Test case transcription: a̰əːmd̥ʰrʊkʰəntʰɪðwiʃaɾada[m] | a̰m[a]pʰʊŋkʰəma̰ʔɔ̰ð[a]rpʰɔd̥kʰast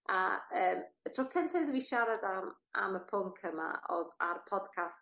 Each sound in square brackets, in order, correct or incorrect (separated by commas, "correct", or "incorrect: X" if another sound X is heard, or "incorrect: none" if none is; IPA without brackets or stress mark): correct, incorrect: ə, correct